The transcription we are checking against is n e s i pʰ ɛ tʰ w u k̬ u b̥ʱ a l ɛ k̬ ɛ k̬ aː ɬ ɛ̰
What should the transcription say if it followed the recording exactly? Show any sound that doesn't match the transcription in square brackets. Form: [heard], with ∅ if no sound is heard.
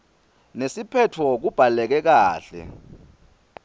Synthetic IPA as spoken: n e s i pʰ ɛ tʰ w [ɔ] k̬ u b̥ʱ a l ɛ k̬ ɛ k̬ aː ɬ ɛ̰